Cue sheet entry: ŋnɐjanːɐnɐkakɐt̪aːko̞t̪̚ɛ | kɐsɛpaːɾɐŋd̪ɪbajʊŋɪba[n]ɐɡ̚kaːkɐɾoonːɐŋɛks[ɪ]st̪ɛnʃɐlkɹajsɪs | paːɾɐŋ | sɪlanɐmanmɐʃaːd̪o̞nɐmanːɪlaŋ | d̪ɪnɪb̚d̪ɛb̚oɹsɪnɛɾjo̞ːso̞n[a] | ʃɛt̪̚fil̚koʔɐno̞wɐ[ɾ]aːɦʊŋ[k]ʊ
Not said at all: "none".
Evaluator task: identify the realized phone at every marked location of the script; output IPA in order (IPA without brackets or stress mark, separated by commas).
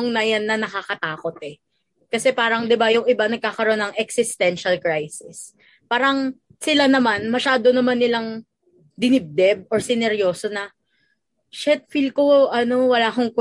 n, ɪ, ɐ, l, k